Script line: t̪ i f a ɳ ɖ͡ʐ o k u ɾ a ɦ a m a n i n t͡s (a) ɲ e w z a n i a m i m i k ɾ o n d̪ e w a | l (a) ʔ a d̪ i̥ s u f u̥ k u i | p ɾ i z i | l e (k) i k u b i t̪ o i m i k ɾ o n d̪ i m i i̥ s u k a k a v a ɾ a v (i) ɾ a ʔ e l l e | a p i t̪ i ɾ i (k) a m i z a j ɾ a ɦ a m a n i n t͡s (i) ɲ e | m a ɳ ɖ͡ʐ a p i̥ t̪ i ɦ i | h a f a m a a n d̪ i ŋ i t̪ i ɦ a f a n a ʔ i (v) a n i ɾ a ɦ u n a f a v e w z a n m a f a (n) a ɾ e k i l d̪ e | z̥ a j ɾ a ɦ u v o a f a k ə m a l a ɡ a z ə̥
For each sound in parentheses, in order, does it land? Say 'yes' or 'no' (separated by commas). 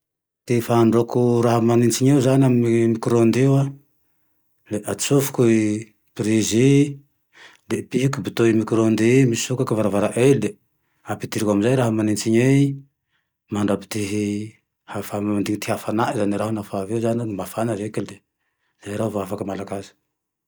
no, no, no, no, yes, yes, no, yes